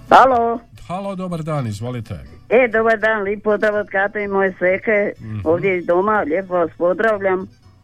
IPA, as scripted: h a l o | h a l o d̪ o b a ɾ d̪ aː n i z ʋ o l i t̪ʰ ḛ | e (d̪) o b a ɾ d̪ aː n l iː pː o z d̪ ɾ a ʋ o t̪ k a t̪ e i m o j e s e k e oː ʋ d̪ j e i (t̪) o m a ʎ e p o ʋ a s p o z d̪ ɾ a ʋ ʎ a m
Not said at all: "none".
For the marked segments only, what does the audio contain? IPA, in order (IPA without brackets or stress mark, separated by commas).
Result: d̪, d̪